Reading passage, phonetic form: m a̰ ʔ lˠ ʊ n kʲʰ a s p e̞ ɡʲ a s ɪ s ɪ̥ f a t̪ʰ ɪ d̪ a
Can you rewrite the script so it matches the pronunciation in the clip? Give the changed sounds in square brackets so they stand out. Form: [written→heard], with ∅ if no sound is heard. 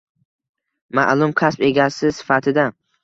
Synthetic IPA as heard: m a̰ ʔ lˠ ʊ [n→m] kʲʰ a s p e̞ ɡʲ a s ɪ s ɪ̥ f a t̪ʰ ɪ d̪ a